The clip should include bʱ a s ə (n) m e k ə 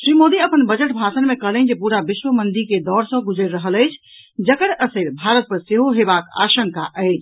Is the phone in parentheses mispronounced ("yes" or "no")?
no